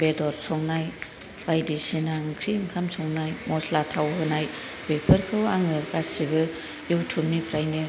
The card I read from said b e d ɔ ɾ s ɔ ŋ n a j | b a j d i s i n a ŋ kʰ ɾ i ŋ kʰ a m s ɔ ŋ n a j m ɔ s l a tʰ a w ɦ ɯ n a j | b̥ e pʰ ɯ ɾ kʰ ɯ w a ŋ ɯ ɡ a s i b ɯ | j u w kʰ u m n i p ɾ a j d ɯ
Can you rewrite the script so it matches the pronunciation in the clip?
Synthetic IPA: b e d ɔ ɾ s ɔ ŋ n a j | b a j d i s i n a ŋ kʰ ɾ i ŋ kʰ a m s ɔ ŋ n a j m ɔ s l a tʰ a w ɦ ɯ n a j | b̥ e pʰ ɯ ɾ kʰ ɯ w a ŋ ɯ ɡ a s i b ɯ | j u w tʰ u m n i p ɾ a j n ɯ